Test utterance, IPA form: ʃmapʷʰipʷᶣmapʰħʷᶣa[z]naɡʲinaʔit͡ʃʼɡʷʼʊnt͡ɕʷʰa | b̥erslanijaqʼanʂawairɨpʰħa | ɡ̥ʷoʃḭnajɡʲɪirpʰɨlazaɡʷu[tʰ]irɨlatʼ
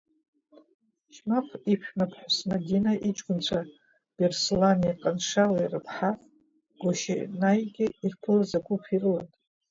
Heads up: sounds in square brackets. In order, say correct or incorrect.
incorrect: s, incorrect: pʰ

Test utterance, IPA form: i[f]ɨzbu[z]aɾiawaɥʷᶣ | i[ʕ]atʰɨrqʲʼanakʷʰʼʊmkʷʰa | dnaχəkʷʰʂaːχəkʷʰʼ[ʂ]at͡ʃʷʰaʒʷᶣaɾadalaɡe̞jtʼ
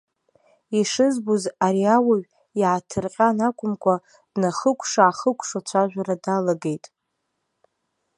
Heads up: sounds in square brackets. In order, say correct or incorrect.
incorrect: ʂ, correct, correct, correct

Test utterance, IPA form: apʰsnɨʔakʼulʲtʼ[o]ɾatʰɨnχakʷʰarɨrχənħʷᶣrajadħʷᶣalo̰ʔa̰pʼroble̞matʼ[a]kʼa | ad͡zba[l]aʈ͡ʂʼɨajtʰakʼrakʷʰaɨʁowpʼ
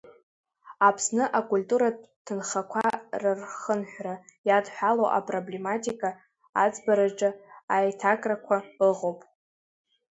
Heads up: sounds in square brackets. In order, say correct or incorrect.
incorrect: u, incorrect: i, incorrect: ɾ

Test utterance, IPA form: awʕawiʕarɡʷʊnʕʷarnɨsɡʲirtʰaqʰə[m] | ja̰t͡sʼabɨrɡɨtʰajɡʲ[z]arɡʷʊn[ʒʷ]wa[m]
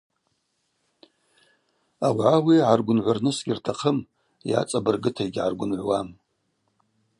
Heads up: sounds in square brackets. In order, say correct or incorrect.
correct, incorrect: ʕ, incorrect: ʕʷ, correct

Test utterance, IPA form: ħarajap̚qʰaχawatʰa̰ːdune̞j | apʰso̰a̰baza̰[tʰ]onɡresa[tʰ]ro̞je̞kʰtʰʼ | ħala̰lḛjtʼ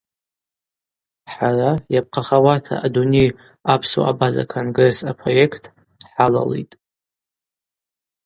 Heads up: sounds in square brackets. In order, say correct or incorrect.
incorrect: kʰ, incorrect: pʰ

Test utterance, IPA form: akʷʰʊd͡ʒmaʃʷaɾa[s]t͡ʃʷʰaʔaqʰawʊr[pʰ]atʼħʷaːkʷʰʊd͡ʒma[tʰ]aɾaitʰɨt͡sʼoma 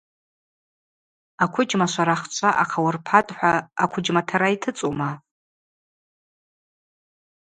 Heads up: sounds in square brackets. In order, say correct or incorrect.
incorrect: χ, correct, correct

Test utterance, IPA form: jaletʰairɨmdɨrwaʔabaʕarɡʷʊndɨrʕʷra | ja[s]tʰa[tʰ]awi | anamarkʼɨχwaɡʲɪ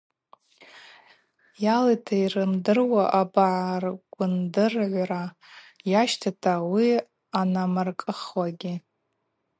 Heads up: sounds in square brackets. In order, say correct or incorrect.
incorrect: ʃ, correct

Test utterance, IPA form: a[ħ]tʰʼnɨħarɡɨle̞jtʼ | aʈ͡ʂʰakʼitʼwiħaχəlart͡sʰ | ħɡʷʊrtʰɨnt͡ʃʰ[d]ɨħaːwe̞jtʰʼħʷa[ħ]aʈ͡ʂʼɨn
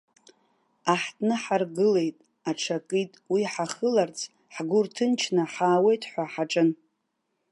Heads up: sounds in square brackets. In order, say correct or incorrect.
correct, incorrect: n, correct

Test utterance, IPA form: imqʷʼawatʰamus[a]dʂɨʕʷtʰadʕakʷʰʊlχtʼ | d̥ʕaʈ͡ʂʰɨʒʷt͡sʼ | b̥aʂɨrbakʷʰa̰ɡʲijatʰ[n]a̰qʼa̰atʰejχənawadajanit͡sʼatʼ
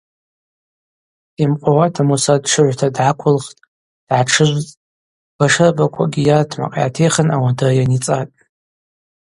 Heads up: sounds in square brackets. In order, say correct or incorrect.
correct, incorrect: m

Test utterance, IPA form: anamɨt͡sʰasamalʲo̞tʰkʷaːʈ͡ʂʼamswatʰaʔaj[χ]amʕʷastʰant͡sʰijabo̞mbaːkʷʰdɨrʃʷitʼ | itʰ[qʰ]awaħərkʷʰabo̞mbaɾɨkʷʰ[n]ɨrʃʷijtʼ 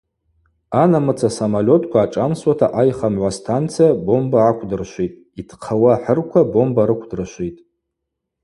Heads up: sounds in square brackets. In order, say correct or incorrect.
correct, correct, incorrect: d

